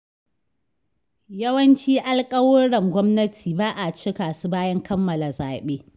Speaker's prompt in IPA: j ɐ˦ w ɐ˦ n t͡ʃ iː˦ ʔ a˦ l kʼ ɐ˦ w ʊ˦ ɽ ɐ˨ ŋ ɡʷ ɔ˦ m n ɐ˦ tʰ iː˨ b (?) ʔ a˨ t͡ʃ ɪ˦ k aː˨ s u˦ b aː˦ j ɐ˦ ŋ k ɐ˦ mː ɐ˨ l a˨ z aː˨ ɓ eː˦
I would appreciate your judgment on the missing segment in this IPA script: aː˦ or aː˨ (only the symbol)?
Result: aː˦